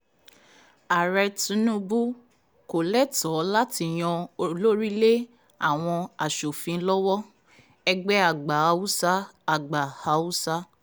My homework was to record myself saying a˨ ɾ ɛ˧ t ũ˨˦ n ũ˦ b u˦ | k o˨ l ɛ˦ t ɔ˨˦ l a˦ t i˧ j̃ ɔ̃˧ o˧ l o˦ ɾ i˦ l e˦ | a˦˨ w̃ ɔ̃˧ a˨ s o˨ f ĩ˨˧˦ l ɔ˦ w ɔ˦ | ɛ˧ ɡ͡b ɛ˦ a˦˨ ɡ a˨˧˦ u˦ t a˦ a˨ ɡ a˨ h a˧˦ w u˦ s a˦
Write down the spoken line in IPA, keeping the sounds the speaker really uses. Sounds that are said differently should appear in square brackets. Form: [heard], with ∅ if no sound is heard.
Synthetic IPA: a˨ ɾ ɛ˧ t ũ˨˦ n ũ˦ b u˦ | k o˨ l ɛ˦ t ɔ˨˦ l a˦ t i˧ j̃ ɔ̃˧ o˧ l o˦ ɾ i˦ l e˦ | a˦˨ w̃ ɔ̃˧ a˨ [ʃ] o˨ f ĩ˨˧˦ l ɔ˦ w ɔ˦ | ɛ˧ ɡ͡b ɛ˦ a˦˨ [ɡ͡b] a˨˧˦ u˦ [s] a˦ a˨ [ɡ͡b] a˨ h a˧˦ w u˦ s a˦

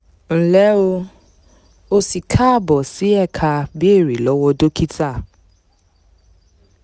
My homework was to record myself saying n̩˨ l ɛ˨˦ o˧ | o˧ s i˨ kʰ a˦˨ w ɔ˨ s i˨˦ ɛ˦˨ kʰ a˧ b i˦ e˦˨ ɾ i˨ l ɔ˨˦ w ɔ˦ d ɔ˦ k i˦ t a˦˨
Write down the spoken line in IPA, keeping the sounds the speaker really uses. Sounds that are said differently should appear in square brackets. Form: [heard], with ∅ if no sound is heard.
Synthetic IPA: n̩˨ l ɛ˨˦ o˧ | o˧ s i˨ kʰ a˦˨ [b] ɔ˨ s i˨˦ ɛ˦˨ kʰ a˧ b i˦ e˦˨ ɾ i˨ l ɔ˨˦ w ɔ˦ d [o˦] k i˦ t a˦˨

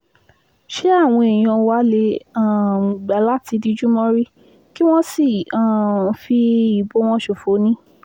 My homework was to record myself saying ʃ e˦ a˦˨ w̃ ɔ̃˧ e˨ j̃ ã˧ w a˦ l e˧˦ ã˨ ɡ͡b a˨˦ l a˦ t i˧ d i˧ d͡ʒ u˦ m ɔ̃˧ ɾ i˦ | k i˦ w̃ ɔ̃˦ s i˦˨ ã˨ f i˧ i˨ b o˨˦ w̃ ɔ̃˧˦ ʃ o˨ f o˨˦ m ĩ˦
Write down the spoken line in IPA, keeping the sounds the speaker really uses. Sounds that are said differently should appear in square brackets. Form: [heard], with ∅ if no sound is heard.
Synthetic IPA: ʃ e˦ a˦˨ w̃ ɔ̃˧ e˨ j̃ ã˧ w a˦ l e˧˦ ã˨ ɡ͡b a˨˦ l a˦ t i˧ d i˧ d͡ʒ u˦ m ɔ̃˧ ɾ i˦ | k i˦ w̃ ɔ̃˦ s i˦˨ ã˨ f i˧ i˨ b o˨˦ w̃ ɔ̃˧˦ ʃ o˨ f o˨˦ [n] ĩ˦

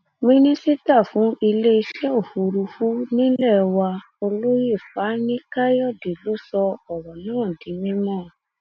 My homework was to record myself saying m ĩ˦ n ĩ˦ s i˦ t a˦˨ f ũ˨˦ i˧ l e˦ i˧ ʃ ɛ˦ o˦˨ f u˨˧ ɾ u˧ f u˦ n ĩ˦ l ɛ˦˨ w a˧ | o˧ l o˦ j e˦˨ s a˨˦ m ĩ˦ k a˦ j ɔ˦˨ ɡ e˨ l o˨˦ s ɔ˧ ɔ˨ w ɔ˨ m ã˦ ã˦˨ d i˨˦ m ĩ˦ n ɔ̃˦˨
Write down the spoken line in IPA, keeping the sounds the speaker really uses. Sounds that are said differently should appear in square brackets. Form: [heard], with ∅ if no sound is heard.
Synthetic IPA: m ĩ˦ n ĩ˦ s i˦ t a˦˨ f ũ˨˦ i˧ l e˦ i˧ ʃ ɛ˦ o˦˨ f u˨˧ ɾ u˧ f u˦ n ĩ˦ l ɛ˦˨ w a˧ | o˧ l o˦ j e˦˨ [f] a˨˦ [n] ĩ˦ k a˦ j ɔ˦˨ [d] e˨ l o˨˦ s ɔ˧ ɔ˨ w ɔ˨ [n] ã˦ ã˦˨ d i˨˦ m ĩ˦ [m] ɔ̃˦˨

